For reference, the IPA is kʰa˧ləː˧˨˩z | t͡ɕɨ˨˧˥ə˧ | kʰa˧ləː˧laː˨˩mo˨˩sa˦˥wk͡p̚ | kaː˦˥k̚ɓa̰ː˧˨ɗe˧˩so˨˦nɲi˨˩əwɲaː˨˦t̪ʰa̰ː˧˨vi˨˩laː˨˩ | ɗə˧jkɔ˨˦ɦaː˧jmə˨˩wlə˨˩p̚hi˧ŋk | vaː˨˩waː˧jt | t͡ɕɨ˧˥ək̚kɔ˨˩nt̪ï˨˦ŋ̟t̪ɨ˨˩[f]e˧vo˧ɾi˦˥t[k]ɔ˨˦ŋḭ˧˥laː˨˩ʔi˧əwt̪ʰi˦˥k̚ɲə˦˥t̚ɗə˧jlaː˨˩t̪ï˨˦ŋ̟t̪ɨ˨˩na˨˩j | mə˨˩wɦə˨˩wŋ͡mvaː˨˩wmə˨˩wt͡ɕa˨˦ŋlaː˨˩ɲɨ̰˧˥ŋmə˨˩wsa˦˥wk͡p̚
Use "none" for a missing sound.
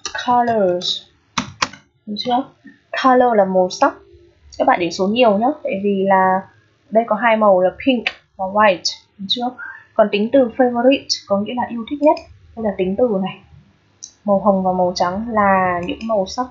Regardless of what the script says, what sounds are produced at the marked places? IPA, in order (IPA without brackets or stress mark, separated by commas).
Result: f, k